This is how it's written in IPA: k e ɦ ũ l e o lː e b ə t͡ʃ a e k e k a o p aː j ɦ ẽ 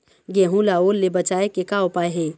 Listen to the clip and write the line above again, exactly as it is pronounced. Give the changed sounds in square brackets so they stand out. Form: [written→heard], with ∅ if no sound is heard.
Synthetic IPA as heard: [k→ɡ] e ɦ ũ l [e→a] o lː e b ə t͡ʃ a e k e k a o p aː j ɦ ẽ